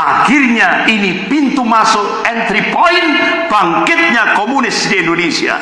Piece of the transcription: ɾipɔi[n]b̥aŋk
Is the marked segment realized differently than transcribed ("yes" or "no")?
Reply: no